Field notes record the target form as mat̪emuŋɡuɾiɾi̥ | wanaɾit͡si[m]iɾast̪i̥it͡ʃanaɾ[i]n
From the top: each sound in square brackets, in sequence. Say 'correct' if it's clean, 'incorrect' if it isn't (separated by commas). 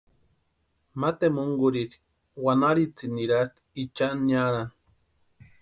incorrect, incorrect